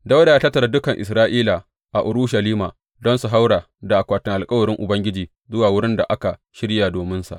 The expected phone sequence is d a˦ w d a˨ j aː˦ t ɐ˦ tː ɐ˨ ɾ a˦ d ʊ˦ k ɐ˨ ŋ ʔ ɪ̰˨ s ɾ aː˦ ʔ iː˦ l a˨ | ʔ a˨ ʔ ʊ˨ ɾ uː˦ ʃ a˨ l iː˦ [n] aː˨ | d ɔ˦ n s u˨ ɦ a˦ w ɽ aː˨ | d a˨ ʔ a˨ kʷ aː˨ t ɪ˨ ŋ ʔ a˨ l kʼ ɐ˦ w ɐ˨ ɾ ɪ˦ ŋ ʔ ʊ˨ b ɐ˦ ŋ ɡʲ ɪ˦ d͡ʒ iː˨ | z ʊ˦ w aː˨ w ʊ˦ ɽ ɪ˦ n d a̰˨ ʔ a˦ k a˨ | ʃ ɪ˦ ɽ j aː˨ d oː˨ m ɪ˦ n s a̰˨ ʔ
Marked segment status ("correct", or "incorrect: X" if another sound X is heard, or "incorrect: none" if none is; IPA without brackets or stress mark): incorrect: m